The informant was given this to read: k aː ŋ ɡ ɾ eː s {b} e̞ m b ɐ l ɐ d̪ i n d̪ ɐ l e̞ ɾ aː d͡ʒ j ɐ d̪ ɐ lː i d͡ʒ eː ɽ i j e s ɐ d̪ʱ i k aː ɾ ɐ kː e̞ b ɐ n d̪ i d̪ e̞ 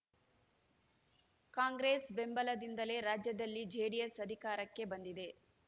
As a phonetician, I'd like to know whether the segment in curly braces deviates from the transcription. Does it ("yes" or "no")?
no